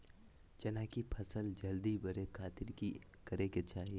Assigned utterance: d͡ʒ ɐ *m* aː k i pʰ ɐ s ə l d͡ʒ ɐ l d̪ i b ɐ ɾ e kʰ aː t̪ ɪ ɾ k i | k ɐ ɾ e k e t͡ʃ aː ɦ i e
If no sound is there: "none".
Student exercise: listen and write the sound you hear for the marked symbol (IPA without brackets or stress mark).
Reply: n